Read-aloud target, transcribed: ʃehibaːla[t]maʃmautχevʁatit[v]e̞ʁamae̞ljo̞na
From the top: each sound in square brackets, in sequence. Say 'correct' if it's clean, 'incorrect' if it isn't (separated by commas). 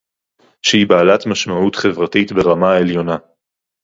correct, incorrect